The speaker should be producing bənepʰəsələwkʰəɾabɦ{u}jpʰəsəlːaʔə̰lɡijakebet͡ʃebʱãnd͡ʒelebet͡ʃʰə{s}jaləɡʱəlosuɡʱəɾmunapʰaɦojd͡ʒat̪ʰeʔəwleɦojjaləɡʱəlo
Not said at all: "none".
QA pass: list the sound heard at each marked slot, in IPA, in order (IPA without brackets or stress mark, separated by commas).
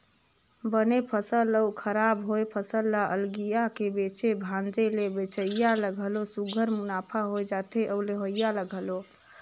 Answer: o, none